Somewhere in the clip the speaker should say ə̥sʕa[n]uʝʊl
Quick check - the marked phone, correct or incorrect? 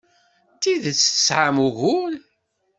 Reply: incorrect